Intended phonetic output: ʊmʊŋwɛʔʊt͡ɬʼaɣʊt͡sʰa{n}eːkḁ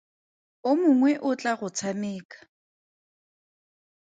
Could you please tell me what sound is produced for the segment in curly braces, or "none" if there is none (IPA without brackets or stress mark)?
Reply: m